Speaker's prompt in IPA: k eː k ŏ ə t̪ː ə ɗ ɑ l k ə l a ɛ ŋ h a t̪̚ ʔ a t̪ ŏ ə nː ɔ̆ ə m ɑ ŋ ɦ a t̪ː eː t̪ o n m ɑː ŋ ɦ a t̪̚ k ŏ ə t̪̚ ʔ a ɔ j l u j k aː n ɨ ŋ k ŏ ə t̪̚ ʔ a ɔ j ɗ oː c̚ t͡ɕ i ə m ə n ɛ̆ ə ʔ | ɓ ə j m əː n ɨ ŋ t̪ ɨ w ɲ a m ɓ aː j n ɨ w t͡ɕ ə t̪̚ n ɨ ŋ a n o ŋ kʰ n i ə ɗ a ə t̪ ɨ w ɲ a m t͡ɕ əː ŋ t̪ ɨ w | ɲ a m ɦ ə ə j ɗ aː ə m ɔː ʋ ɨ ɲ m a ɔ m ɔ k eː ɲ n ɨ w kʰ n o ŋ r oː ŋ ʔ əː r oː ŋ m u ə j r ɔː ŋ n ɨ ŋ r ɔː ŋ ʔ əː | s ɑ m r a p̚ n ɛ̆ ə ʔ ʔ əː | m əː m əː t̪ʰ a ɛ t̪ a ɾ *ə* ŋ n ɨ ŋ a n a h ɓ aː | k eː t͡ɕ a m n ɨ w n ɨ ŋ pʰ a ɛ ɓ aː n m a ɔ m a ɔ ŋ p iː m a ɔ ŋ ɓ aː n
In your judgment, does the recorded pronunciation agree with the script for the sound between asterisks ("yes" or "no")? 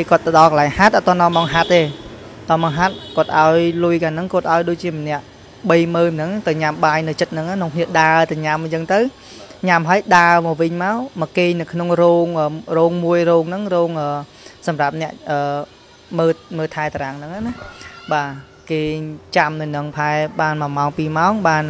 no